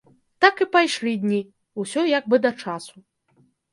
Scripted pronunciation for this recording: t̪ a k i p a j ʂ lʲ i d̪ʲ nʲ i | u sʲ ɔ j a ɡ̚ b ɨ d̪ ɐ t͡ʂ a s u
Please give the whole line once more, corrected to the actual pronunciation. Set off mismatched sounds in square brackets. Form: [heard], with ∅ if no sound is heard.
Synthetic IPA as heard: t̪ a k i p a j ʂ lʲ i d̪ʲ nʲ i | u sʲ ɔ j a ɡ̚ b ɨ d̪ ɐ t͡ʂ a s u